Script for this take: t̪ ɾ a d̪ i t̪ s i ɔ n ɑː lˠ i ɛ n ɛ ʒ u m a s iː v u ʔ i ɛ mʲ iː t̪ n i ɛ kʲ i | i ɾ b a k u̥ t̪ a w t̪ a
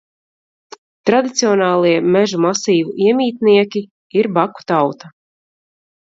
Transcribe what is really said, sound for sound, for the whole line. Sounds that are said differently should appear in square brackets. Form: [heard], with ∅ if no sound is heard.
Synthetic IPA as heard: t̪ ɾ a d̪ i t̪ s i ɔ n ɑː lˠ i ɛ [m] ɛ ʒ u m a s iː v u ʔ i ɛ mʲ iː t̪ n i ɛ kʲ i | i ɾ b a k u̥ t̪ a w t̪ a